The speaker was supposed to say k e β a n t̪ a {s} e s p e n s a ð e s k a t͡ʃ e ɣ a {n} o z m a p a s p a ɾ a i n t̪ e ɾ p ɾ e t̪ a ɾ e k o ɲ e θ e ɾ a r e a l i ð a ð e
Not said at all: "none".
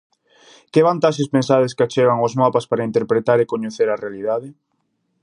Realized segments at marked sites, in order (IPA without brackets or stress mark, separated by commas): ʃ, ŋ